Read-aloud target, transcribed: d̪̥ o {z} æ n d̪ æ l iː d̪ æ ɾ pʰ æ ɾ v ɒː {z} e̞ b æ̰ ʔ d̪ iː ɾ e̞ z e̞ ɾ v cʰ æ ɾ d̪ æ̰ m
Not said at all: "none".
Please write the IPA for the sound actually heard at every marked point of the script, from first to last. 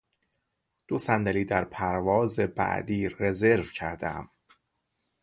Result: s, z

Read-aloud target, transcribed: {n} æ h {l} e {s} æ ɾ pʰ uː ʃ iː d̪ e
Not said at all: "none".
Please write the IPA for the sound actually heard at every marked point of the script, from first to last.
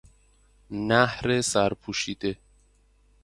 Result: n, ɾ, s

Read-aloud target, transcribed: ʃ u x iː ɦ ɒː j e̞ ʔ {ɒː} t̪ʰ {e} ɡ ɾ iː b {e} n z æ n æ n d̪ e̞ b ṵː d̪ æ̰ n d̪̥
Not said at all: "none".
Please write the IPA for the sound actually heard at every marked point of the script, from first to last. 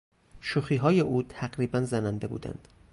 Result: uː, æ, æ

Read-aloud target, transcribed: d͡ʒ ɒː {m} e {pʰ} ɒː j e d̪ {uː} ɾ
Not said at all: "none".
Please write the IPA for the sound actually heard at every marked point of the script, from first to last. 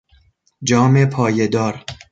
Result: m, pʰ, ɒː

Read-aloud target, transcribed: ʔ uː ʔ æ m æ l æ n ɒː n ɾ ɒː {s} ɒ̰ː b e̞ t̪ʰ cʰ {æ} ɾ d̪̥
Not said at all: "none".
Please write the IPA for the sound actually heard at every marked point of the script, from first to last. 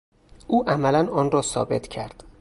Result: s, æ

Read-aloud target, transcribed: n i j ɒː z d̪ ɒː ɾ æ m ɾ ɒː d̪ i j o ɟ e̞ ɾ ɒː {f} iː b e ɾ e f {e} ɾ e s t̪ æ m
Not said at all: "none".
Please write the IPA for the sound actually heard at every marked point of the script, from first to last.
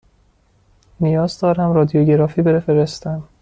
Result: f, e

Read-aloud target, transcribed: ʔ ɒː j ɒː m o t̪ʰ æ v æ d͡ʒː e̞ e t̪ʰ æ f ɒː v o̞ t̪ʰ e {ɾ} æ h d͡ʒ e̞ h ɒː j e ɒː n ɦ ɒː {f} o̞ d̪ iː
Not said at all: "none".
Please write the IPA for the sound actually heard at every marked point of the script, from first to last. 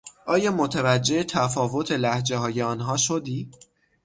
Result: l, ʃ

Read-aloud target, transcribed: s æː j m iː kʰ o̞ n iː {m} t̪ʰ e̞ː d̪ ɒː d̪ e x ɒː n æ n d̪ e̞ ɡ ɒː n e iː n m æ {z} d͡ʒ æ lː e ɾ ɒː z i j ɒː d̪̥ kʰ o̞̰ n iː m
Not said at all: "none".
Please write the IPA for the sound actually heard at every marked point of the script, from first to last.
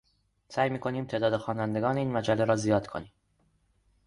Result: m, none

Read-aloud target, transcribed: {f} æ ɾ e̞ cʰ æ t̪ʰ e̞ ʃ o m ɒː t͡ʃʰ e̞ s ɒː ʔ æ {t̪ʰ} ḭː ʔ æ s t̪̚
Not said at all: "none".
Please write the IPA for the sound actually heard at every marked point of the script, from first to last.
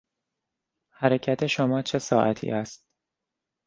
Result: h, t̪ʰ

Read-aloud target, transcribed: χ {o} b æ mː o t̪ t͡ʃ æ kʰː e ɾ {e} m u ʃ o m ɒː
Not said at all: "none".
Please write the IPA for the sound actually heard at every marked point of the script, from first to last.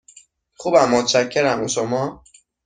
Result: u, æ

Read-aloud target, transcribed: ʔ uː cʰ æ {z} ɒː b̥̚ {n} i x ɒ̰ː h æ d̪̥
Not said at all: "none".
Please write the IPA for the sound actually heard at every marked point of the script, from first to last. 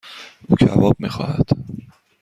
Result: v, m

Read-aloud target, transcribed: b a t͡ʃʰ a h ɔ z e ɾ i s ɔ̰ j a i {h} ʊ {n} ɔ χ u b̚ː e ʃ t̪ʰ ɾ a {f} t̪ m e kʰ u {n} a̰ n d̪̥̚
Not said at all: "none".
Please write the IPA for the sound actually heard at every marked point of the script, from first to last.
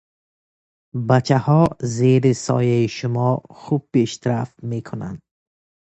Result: ʃ, m, f, n

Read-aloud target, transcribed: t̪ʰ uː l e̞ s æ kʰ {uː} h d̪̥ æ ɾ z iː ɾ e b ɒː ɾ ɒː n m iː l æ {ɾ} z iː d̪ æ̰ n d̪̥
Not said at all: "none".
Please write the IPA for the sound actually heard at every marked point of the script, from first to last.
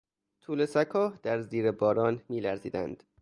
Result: ɒː, ɾ

